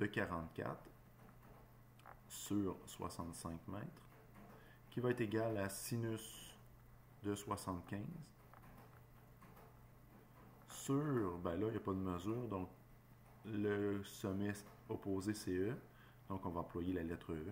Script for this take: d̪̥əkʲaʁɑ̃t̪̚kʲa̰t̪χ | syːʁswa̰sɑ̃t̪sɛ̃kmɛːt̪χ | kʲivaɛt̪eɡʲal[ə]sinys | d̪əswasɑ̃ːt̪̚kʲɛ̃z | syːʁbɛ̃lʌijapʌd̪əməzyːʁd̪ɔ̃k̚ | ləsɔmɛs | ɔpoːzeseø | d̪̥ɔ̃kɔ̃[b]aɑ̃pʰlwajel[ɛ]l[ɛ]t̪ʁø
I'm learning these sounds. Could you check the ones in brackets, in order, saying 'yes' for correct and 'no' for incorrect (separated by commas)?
no, no, no, yes